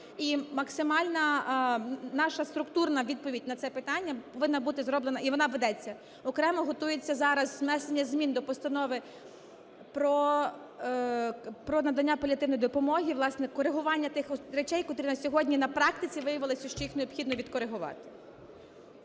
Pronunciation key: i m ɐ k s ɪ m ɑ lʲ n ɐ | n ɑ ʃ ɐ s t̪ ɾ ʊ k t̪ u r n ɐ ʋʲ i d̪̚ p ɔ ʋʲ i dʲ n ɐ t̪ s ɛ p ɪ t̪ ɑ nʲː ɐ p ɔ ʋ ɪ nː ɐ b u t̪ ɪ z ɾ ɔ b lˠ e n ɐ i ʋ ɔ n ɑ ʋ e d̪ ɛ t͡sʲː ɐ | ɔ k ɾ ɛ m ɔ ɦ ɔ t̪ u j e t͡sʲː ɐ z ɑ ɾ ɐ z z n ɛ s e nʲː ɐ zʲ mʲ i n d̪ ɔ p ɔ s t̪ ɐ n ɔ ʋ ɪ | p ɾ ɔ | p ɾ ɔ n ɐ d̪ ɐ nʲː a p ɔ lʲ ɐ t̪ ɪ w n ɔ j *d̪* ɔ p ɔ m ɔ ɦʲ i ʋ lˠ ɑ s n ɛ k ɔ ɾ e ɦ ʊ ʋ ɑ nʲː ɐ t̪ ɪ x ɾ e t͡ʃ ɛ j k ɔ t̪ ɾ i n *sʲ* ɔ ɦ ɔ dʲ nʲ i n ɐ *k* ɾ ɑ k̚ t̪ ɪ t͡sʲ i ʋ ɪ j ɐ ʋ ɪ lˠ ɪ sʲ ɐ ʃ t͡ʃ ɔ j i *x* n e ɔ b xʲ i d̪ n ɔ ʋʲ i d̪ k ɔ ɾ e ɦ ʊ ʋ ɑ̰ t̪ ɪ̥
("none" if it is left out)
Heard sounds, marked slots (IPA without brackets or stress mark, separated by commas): d̪, sʲ, p, x